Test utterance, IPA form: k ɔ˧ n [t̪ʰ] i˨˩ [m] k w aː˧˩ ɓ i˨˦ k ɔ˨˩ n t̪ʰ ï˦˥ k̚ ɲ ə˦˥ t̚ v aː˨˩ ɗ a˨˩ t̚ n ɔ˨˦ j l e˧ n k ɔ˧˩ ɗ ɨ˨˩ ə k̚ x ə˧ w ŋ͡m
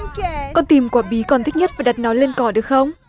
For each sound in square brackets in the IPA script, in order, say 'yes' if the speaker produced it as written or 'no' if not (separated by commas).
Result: no, yes